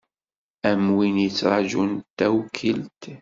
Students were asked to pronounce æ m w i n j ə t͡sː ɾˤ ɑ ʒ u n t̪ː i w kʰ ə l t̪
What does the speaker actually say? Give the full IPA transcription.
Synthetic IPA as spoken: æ m w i n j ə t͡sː ɾˤ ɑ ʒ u n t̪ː æ w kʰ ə l t̪